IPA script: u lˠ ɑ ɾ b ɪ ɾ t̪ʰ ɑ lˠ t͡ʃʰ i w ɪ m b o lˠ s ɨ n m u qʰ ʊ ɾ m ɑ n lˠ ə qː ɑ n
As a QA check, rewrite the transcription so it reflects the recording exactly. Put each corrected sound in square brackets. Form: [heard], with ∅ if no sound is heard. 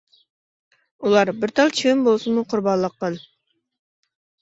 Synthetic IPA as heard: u lˠ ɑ ɾ b ɪ ɾ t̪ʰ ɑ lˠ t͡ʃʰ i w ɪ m b o lˠ s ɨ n m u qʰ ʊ ɾ [b] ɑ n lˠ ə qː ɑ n